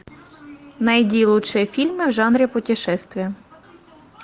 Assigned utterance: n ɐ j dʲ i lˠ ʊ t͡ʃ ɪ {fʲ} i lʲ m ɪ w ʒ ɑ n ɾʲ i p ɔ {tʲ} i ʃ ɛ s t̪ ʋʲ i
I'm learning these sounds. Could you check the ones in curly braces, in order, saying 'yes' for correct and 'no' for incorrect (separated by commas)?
yes, yes